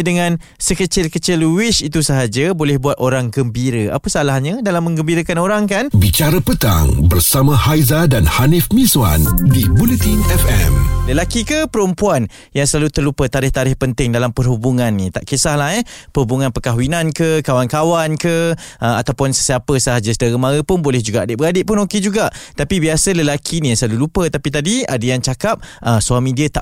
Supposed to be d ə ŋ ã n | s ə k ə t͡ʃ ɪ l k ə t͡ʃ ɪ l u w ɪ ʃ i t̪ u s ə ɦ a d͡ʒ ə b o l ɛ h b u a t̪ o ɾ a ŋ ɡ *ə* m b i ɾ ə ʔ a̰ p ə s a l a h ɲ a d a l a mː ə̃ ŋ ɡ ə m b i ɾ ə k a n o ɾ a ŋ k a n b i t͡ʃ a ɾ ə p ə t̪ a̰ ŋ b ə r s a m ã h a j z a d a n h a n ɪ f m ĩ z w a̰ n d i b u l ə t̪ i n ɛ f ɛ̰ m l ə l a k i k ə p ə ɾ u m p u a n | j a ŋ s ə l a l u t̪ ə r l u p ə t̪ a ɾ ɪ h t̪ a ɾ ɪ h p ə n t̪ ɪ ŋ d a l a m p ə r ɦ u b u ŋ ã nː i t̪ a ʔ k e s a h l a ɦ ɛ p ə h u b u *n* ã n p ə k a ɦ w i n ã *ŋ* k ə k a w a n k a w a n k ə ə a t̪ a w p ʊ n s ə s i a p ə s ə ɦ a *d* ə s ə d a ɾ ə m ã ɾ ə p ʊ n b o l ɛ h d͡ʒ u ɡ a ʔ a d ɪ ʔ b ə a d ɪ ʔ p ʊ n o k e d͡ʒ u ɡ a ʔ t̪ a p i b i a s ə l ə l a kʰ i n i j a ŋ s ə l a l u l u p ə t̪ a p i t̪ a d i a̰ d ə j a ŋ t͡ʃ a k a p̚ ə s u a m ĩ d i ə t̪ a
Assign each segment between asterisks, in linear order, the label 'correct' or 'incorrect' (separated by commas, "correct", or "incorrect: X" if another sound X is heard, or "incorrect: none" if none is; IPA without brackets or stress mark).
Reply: correct, incorrect: ŋ, incorrect: n, incorrect: d͡ʒ